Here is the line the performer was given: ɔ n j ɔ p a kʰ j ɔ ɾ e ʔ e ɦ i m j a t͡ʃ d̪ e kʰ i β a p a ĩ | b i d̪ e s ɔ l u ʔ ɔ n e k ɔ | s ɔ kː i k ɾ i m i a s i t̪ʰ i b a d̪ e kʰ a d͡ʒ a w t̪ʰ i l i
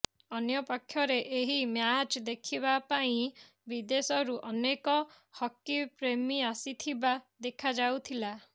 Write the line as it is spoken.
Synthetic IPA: ɔ n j ɔ p a kʰ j ɔ ɾ e ʔ e ɦ i m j a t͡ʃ d̪ e kʰ i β a p a ĩ | b i d̪ e s ɔ ɾ u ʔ ɔ n e k ɔ | h ɔ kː i p ɾ e m i a s i t̪ʰ i b a d̪ e kʰ a d͡ʒ a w t̪ʰ i l a